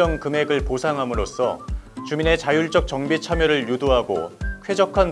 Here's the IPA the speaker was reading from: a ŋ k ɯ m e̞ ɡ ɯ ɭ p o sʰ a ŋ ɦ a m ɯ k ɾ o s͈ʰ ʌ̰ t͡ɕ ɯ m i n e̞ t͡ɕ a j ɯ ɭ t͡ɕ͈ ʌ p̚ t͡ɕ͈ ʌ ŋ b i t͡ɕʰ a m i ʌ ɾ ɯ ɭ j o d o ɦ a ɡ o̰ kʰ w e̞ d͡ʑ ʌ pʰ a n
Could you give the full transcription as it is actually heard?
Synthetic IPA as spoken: ʌ ŋ k ɯ m e̞ ɡ ɯ ɭ p o sʰ a ŋ ɦ a m ɯ ɾ o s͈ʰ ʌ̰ t͡ɕ u m i n e̞ t͡ɕ a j u ɭ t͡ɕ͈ ʌ k̚ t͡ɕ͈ ʌ ŋ b i t͡ɕʰ a m j ʌ ɾ ɯ ɭ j u d o ɦ a ɡ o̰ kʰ w e̞ d͡ʑ ʌ kʰ a n